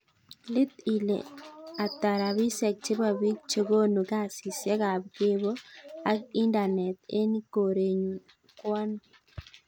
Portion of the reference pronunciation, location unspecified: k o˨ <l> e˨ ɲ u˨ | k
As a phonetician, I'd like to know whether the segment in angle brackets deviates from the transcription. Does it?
yes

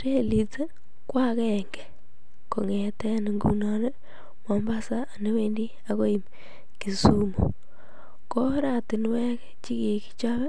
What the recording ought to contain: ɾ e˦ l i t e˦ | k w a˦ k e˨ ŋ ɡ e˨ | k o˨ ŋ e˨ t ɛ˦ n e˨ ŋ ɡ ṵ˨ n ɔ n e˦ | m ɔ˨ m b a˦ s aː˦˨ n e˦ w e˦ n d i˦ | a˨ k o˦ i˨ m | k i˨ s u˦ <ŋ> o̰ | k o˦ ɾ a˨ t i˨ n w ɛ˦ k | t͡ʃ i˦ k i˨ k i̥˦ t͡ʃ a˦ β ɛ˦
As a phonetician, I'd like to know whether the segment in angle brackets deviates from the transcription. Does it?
yes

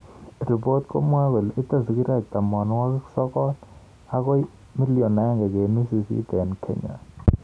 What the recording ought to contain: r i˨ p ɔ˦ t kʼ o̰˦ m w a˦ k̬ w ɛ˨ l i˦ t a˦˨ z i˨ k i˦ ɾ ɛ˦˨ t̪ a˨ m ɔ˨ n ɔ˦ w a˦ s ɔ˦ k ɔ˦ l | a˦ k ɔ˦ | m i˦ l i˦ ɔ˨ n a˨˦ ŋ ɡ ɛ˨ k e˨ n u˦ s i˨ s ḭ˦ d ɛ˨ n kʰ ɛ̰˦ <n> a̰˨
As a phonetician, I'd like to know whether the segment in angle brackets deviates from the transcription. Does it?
yes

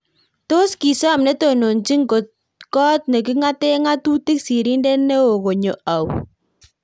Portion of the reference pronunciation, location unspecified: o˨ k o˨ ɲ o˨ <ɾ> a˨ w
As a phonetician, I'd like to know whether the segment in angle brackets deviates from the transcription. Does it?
yes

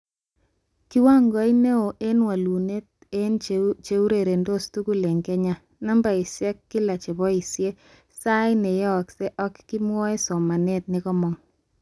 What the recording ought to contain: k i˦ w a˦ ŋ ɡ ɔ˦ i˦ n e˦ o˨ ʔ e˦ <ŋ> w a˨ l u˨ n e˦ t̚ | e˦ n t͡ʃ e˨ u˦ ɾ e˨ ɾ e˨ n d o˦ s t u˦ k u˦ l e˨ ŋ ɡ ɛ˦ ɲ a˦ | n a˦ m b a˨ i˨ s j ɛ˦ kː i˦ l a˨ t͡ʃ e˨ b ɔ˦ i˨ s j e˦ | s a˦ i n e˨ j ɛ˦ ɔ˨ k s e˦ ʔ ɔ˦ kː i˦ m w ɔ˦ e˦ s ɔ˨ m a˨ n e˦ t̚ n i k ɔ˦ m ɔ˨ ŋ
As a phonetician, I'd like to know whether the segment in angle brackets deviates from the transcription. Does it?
yes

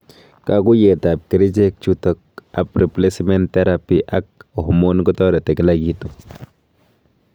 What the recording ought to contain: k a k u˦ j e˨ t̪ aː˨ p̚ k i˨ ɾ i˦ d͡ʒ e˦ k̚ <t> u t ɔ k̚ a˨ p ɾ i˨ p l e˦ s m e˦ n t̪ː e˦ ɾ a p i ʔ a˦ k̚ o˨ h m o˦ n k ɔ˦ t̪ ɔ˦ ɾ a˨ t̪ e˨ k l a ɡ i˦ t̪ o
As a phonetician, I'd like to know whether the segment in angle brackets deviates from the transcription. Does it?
yes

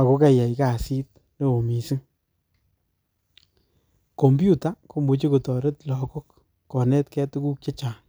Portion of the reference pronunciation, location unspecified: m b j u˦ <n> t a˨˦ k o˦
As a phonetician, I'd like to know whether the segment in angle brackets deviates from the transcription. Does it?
yes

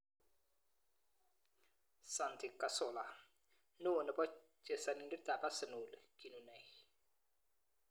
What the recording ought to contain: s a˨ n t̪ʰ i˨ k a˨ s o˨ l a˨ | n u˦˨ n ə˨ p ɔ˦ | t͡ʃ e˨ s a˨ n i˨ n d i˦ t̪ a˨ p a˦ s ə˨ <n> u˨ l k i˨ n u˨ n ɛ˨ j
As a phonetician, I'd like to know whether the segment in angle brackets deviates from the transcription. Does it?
no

